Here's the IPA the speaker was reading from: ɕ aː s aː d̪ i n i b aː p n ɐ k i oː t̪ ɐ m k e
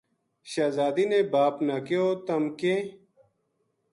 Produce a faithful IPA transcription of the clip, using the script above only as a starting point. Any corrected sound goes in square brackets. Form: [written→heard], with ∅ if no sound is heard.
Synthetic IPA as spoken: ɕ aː [s→z] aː d̪ i n [i→e] b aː p n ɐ k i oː t̪ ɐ m k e